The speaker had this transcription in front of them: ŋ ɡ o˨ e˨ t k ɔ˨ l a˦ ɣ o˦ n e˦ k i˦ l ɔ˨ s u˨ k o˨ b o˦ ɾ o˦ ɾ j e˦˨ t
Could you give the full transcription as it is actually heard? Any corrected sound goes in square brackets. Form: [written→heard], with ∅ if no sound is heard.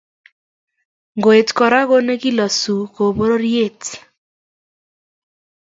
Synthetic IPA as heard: ŋ ɡ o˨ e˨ t k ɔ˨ [l→ɾ] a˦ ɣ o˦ n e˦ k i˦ l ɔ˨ s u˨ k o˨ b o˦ ɾ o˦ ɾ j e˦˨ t